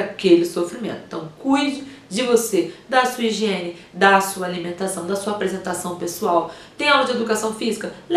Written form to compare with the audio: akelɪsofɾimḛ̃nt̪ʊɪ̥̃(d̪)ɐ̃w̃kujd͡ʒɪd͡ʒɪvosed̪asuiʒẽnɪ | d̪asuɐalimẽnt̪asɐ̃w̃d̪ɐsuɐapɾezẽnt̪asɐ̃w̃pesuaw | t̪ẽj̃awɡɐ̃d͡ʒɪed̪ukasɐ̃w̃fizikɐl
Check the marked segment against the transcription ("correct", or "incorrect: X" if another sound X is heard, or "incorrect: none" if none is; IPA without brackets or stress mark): incorrect: t̪